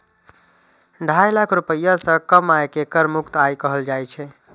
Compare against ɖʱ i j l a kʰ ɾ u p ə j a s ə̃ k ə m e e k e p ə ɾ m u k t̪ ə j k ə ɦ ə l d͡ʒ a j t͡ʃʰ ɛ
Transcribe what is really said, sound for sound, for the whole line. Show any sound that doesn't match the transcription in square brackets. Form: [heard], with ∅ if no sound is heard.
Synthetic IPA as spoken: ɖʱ [a] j l a kʰ ɾ u p ə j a s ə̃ k ə m [a] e k e [k] ə ɾ m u k t̪ [a] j k ə ɦ ə l d͡ʒ a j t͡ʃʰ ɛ